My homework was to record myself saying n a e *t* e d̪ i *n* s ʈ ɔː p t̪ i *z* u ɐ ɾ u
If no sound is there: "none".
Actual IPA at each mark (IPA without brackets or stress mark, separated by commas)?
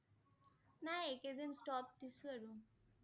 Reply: k, n, s